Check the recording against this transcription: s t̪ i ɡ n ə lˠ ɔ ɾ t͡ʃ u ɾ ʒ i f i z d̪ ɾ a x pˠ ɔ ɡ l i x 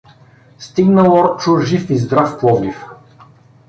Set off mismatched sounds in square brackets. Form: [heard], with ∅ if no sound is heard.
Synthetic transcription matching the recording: s t̪ i ɡ n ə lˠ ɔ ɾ t͡ʃ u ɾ ʒ i f i z d̪ ɾ a [f] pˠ ɔ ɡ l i [f]